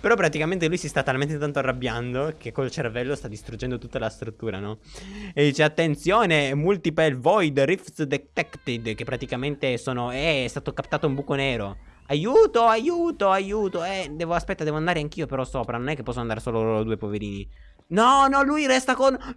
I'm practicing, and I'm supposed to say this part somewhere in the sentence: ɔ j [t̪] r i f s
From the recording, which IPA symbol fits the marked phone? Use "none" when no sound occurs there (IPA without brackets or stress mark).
d̪